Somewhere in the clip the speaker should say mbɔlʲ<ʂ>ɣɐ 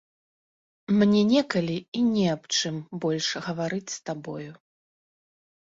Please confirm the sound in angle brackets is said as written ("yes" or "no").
yes